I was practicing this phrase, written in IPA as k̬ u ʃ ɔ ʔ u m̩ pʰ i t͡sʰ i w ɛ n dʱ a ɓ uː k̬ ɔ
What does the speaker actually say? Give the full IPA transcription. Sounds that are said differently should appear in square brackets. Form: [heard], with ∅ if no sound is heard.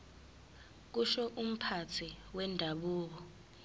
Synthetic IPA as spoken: k̬ u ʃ ɔ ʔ u m̩ pʰ [a] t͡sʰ i w ɛ n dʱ a ɓ uː k̬ ɔ

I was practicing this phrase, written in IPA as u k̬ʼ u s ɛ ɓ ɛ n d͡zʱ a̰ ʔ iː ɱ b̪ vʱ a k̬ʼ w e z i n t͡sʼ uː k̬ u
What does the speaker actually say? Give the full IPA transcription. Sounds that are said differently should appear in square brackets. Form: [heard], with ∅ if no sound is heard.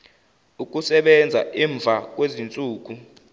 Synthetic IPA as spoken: u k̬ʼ u s ɛ ɓ ɛ n d͡zʱ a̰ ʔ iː ɱ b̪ vʱ a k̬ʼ w e z i n t͡sʼ uː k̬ u

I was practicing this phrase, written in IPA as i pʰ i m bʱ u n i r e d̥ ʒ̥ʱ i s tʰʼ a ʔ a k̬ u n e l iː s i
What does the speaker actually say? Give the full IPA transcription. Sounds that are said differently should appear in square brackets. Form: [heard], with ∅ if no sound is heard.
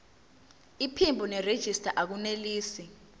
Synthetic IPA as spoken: i pʰ i m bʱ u n [ɛ] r e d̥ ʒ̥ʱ i s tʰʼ a ʔ a k̬ u n e l iː s i

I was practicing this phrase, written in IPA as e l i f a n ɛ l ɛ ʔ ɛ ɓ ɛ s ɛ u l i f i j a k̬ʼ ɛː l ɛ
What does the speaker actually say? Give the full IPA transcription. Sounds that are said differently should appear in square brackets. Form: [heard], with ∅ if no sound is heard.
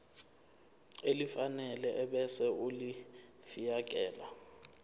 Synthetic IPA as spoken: e l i f a n ɛ l ɛ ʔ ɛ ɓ ɛ s ɛ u l i f i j a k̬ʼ ɛː l [a]

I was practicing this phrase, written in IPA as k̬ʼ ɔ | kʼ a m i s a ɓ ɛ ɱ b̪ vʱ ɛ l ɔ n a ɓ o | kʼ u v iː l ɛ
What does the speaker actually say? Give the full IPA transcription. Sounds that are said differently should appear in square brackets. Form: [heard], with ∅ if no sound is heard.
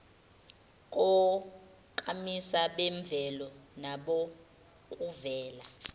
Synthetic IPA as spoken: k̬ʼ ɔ | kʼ a m i s a ɓ ɛ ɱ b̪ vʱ ɛ l ɔ n a ɓ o | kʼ u v [ɛː] l [a]

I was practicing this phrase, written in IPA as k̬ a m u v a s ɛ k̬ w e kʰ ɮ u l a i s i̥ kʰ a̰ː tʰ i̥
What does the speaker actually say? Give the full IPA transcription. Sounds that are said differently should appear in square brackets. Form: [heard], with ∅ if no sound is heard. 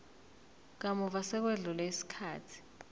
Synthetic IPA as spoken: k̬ a m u v a s ɛ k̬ w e [∅] ɮ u l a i s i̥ kʰ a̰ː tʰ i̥

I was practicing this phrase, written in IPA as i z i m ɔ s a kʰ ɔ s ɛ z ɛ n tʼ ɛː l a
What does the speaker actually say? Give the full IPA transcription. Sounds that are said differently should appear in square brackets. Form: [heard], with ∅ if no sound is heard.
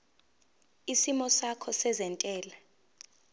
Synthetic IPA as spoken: i [s] i m ɔ s a kʰ ɔ s ɛ z ɛ n tʼ ɛː l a

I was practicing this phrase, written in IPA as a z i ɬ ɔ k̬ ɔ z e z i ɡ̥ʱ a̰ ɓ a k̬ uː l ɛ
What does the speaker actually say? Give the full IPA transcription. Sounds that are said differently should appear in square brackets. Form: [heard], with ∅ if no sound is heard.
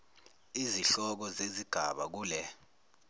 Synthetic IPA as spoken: [i] z i ɬ ɔ k̬ ɔ z e z i ɡ̥ʱ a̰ ɓ a k̬ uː l ɛ

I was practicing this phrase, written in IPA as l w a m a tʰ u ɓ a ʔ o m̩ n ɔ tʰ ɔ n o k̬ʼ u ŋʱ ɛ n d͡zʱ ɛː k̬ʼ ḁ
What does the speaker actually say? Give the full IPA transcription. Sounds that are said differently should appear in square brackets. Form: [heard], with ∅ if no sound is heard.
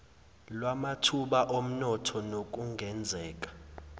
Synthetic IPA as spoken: l w a m a tʰ u ɓ a ʔ o m̩ n ɔ tʰ ɔ n o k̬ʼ u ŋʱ ɛ n d͡zʱ ɛː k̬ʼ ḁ

